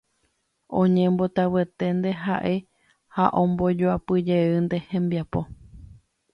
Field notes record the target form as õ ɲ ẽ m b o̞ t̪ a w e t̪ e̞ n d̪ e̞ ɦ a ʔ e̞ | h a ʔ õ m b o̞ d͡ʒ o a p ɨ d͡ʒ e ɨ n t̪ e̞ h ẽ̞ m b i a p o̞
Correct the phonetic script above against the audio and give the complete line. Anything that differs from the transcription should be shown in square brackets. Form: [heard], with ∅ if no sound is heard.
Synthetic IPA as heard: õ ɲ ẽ m b o̞ t̪ a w e t̪ e̞ n d̪ e̞ ɦ a ʔ e̞ | h a ʔ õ m b o̞ d͡ʒ o a p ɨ d͡ʒ e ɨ n [d̪] e̞ h ẽ̞ m b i a p o̞